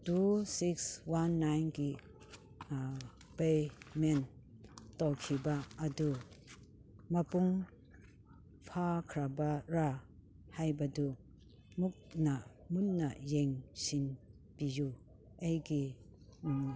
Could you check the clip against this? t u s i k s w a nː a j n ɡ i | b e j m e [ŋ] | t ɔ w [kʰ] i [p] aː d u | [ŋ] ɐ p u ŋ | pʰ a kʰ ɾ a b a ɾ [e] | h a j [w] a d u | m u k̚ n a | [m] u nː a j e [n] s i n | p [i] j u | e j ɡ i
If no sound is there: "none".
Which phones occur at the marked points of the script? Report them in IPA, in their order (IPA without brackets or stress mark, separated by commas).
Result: n, kʰ, b, m, a, b, m, ŋ, i